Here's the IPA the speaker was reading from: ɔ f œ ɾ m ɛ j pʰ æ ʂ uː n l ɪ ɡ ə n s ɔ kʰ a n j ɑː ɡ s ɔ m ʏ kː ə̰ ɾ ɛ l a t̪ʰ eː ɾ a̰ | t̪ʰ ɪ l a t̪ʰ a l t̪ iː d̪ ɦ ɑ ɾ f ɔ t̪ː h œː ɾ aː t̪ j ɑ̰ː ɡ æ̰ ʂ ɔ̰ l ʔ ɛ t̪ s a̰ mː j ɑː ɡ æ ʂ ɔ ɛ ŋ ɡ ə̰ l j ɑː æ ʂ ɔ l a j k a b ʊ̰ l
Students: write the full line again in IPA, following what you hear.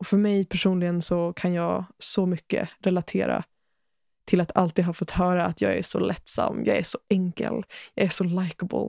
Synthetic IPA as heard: ɔ f œ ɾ m ɛ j pʰ æ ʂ uː n l ɪ ɡ ə n s ɔ kʰ a n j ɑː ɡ s ɔ m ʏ kː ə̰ ɾ ɛ l a t̪ʰ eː ɾ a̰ | t̪ʰ ɪ l a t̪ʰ a l t̪ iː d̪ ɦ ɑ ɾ f ɔ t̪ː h œː ɾ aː t̪ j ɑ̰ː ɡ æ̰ ʂ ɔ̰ l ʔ ɛ t̪ s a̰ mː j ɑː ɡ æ ʂ ɔ ɛ ŋ k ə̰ l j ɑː æ ʂ ɔ l a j k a b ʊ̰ l